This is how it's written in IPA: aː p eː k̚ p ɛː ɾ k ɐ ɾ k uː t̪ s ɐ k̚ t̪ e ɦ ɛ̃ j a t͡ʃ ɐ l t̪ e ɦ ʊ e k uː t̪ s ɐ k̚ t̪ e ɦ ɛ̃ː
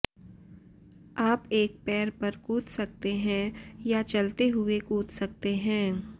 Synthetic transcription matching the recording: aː p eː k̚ p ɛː ɾ p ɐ ɾ k uː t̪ s ɐ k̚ t̪ e ɦ ɛ̃ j a t͡ʃ ɐ l t̪ e ɦ ʊ e k uː t̪ s ɐ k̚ t̪ e ɦ ɛ̃ː